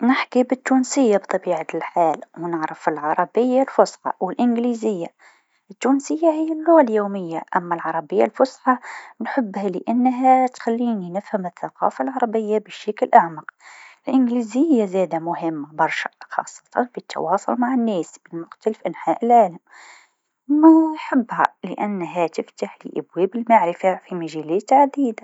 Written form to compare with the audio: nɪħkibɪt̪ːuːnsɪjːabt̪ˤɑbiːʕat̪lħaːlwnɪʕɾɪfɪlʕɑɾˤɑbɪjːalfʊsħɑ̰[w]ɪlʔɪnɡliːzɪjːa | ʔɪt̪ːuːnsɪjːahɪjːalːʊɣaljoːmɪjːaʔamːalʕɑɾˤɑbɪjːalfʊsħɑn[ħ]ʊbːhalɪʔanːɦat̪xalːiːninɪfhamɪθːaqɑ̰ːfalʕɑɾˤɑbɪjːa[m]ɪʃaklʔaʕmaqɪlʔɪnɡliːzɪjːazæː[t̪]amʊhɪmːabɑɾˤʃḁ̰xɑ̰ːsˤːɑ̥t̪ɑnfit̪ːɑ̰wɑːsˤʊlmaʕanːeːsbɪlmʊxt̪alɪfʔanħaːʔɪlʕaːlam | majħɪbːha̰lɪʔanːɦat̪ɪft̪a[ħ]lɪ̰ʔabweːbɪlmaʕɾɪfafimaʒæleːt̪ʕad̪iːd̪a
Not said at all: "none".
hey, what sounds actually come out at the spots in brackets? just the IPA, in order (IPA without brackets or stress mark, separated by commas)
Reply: w, ħ, b, d̪, ħ